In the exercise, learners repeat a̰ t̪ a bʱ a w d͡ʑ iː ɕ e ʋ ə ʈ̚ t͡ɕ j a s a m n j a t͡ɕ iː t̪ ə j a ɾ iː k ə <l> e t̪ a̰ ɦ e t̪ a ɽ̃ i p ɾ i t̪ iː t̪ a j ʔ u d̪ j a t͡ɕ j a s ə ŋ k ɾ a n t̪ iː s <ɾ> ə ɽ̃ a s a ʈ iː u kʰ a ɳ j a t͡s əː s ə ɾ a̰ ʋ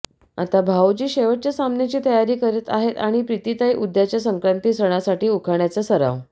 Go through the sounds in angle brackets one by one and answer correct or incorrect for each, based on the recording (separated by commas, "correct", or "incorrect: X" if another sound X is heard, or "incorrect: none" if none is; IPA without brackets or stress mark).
incorrect: ɾ, correct